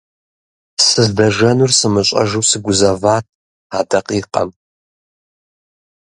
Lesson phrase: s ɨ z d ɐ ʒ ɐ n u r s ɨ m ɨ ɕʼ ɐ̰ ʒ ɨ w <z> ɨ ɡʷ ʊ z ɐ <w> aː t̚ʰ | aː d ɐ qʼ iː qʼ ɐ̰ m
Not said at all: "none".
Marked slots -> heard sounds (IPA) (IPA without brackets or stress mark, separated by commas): s, v